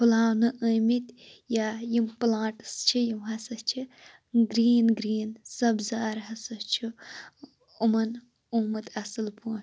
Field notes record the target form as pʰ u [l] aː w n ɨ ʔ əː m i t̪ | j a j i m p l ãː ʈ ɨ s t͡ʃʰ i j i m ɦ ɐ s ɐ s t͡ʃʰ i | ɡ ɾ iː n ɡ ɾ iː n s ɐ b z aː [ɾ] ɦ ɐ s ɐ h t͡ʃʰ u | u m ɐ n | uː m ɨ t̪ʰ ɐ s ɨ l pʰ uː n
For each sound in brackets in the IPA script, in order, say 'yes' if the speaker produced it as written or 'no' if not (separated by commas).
yes, yes